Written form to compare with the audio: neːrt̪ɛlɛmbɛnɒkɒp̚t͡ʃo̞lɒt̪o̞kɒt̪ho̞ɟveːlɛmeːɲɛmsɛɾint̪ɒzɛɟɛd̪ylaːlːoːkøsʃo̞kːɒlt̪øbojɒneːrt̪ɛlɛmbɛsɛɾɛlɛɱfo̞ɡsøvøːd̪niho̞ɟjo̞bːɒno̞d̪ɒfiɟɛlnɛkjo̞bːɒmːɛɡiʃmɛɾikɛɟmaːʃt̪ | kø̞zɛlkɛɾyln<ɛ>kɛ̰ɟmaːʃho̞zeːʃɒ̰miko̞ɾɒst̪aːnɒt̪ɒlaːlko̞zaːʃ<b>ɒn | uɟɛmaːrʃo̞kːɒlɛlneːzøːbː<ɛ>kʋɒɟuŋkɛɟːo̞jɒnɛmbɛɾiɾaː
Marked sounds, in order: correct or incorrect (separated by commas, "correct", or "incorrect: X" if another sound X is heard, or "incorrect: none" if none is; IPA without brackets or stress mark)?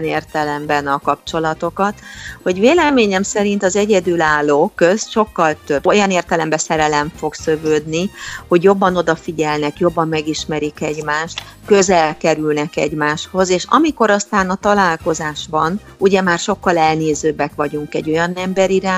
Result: correct, correct, correct